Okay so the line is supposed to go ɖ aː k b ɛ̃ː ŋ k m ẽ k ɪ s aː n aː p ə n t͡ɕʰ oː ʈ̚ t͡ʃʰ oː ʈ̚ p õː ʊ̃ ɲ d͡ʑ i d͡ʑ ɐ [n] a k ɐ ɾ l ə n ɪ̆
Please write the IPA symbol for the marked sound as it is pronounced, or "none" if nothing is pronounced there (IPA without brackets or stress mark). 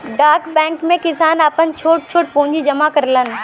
m